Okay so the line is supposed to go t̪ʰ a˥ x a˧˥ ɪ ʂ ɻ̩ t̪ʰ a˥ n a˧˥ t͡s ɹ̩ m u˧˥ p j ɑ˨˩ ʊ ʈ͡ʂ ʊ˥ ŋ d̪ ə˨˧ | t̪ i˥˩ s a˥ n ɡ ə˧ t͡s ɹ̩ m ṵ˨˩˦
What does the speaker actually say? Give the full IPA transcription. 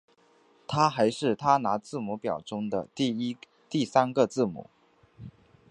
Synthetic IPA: t̪ʰ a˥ x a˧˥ ɪ ʂ ɻ̩ t̪ʰ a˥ n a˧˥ t͡s ɹ̩ m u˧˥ p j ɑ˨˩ ʊ ʈ͡ʂ ʊ˥ ŋ d̪ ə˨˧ | t̪ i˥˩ s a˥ n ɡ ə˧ t͡s ɹ̩ m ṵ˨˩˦